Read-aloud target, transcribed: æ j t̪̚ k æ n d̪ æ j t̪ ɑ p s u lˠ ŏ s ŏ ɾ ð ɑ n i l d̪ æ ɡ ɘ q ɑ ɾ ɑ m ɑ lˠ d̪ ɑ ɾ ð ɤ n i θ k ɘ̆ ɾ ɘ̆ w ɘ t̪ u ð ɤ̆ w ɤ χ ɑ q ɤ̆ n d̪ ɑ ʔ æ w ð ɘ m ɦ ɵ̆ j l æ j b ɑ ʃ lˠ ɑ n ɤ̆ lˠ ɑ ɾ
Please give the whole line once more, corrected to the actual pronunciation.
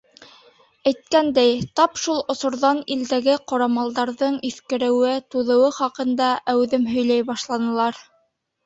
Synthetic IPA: æ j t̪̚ k æ n d̪ æ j t̪ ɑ p ʃ u lˠ ŏ s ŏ ɾ ð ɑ n i l d̪ æ ɡ ɘ q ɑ ɾ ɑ m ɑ lˠ d̪ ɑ ɾ ð ɤ ɴ i θ k ɘ̆ ɾ ɘ̆ w ɘ t̪ u ð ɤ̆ w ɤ χ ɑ q ɤ̆ n d̪ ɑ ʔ æ w ð ɘ m ɦ ɵ̆ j l æ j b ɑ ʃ lˠ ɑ n ɤ̆ lˠ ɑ ɾ

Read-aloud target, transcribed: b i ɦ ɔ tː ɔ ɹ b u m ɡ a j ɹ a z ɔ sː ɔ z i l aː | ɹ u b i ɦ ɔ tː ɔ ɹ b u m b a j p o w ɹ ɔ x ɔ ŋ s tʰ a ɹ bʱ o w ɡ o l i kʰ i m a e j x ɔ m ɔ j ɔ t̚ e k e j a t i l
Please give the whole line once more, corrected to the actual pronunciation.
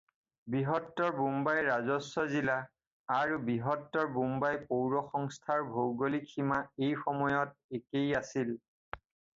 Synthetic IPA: b i ɦ ɔ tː ɔ ɹ b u m b a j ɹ a z ɔ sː ɔ z i l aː | ɹ u b i ɦ ɔ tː ɔ ɹ b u m b a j p o w ɹ ɔ x ɔ ŋ s tʰ a ɹ bʱ o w ɡ o l i kʰ i m a e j x ɔ m ɔ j ɔ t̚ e k e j a s i l

